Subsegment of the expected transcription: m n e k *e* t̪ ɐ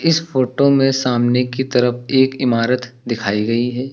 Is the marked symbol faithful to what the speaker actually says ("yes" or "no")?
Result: no